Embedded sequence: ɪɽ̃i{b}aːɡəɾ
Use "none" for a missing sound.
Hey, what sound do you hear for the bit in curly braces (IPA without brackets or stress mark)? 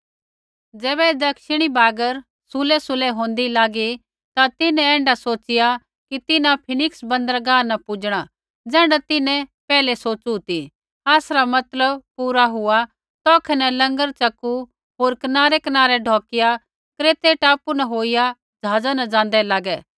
b